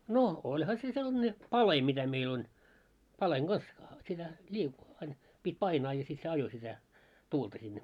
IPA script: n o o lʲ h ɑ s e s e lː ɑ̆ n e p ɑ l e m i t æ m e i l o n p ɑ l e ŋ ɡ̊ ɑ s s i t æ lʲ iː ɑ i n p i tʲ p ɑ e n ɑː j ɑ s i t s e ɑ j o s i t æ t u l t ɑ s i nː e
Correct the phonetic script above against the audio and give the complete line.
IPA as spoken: n o o lʲ h ɑ s e s e lː ɑ̆ n e p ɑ l e m i t æ m e i l o n p ɑ l e ŋ ɡ̊ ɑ s s i t æ lʲ iː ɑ i n p i tʲ p ɑ i n ɑː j ɑ s i t s e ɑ j o s i t æ t uː l t ɑ s i nː e